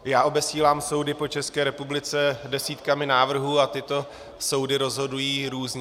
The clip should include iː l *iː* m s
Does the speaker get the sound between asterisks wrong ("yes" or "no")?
yes